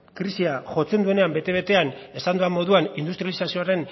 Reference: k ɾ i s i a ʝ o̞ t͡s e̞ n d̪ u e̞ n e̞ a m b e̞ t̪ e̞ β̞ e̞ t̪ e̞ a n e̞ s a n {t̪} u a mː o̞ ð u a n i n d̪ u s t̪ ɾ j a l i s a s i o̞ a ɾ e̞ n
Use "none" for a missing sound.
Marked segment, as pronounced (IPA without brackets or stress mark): d̪